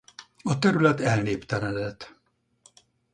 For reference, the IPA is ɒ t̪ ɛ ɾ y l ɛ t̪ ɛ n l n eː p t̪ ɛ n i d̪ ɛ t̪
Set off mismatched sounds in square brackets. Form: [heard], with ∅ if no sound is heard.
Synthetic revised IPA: ɒ t̪ ɛ ɾ y l ɛ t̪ ɛ [∅] l n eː p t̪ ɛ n [ɛ] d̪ ɛ t̪